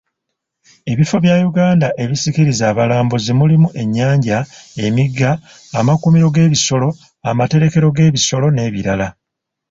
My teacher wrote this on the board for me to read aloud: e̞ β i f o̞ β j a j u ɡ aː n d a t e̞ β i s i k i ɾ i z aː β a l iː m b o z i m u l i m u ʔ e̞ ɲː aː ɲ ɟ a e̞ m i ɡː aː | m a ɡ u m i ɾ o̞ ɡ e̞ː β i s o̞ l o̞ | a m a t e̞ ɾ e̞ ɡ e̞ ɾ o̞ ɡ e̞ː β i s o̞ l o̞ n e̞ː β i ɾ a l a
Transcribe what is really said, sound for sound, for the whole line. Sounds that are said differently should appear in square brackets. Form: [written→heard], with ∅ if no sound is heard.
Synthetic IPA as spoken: e̞ β i f o̞ β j a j u ɡ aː n d a [t→ʔ] e̞ β i s i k i ɾ i z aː β a l [iː→aː] m b o z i m u l i m u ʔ e̞ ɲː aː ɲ ɟ a e̞ m i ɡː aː | m a [ɡ→k] u m i ɾ o̞ ɡ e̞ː β i s o̞ l o̞ | a m a t e̞ ɾ e̞ [ɡ→k] e̞ ɾ o̞ ɡ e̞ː β i s o̞ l o̞ n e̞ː β i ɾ a l a